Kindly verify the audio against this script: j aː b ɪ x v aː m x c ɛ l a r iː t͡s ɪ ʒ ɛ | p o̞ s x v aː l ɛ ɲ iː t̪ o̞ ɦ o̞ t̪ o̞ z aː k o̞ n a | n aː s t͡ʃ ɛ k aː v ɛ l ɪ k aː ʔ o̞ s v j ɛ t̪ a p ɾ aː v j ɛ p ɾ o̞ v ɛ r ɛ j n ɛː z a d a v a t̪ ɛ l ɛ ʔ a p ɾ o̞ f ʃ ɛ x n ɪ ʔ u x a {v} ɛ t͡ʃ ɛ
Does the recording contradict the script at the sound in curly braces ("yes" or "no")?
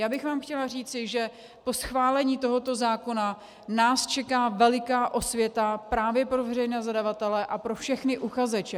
yes